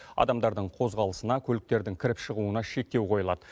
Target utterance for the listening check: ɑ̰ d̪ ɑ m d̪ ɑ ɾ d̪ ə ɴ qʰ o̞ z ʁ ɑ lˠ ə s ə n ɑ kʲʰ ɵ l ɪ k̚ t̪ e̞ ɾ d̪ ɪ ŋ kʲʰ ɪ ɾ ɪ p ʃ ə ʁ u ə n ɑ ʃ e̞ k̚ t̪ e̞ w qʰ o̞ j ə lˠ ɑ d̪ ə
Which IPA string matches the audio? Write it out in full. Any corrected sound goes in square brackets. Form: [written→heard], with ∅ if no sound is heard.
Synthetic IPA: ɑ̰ d̪ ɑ m d̪ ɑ ɾ d̪ ə ɴ qʰ o̞ z ʁ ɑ lˠ ə s ə n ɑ kʲʰ ɵ l ɪ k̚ t̪ e̞ ɾ d̪ ɪ ŋ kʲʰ ɪ ɾ ɪ p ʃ ə ʁ u ə n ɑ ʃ e̞ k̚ t̪ e̞ w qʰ o̞ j ə lˠ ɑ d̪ ə